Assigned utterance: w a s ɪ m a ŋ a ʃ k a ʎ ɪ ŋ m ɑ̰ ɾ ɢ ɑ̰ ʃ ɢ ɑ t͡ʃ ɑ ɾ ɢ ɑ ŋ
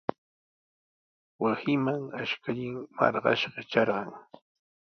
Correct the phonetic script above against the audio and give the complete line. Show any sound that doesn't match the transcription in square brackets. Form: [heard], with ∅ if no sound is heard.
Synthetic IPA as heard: w a s ɪ m a ŋ a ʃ k a ʎ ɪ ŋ m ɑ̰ ɾ ɢ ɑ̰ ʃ ɢ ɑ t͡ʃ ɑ ɾ ɢ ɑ ŋ